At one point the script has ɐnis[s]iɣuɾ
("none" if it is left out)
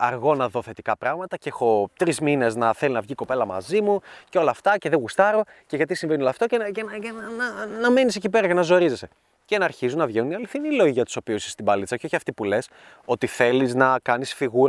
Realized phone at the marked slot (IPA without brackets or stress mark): f